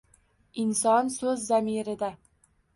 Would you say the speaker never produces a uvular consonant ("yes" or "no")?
yes